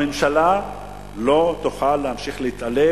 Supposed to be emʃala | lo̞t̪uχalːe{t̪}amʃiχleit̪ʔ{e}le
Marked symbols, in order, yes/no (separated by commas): no, no